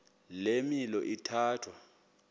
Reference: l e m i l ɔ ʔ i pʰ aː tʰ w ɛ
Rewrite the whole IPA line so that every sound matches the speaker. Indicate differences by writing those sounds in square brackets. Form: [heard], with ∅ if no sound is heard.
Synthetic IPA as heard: l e m i l ɔ ʔ i [tʰ] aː tʰ w [a]